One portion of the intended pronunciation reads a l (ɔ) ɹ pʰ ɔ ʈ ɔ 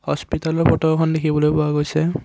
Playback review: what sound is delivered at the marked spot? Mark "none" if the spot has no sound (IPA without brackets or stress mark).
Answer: ɔ